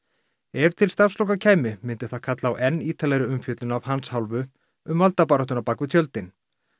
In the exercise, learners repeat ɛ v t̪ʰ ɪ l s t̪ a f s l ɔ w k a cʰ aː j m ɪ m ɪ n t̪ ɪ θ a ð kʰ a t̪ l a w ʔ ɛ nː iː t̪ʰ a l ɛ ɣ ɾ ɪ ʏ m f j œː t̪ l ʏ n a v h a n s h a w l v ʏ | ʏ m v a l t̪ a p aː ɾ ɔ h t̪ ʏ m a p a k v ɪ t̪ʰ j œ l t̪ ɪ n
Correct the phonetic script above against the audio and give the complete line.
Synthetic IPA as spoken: ɛ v t̪ʰ ɪ l s t̪ a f s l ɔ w k a cʰ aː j m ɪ m ɪ n t̪ ɪ θ a ð kʰ a t̪ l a w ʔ ɛ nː iː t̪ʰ a l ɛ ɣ ɾ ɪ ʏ m f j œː t̪ l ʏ n a v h a n s h a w l v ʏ | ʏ m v a l t̪ a p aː ɾ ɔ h t̪ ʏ n a p a k v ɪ t̪ʰ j œ l t̪ ɪ n